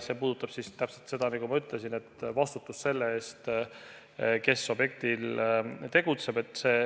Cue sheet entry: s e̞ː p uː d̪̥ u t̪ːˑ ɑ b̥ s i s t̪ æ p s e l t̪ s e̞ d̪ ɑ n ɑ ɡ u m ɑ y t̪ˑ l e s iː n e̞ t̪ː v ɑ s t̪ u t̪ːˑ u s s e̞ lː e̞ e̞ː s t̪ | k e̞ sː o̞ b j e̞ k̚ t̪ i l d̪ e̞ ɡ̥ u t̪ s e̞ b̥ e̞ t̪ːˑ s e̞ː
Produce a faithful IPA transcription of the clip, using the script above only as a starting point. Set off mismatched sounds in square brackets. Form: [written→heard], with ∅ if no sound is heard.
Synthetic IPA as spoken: s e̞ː p uː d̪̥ u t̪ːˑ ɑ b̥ s i s t̪ æ p s e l t̪ s e̞ d̪ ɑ n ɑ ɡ u m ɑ y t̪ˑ l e s [iː→i] n e̞ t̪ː v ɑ s t̪ u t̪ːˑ u s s e̞ lː e̞ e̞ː s t̪ | k e̞ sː o̞ b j e̞ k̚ t̪ i l [d̪→t̪] e̞ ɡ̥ u t̪ s e̞ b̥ e̞ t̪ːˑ s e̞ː